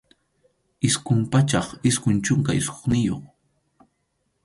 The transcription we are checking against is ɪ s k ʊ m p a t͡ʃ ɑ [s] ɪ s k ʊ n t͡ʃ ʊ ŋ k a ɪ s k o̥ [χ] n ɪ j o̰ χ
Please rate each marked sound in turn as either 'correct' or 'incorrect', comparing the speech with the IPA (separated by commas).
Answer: incorrect, correct